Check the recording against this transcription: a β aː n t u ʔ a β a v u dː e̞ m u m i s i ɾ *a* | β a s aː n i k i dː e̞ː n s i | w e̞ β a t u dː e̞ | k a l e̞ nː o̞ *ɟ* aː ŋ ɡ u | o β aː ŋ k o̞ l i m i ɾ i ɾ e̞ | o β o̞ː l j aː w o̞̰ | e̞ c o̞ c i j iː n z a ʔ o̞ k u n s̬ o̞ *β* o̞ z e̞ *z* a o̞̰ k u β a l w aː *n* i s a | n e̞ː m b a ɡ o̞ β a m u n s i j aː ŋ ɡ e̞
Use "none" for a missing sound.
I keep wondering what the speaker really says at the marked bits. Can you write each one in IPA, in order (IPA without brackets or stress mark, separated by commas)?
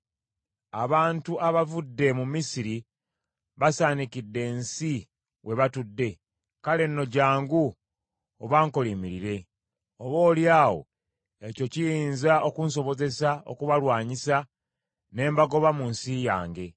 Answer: i, ɟ, β, s, ɲ